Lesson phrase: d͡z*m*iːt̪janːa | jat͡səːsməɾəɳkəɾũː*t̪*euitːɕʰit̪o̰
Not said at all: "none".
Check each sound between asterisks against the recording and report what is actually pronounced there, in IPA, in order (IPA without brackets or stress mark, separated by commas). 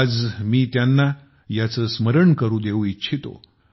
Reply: m, d̪